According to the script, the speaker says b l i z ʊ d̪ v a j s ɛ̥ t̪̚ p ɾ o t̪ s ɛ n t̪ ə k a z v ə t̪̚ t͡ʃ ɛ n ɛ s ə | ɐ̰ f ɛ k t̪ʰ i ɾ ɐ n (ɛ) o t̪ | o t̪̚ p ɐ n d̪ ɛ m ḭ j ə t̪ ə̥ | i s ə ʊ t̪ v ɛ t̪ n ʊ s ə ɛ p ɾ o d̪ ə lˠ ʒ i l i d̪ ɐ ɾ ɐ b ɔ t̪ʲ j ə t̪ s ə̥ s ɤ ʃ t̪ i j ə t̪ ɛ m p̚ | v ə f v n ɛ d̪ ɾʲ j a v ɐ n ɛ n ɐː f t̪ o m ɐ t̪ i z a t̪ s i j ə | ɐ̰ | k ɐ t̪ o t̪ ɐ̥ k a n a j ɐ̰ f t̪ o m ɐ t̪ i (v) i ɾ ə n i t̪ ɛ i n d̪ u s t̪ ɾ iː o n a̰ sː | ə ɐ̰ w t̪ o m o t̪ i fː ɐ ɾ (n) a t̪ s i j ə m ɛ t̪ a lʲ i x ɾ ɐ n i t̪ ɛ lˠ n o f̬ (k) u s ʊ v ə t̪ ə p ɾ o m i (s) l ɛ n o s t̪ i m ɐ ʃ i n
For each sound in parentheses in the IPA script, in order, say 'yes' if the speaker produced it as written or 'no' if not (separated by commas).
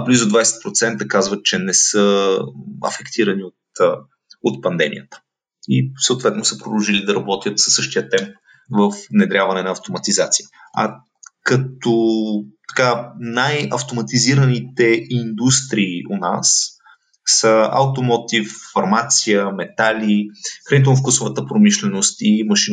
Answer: no, no, no, yes, no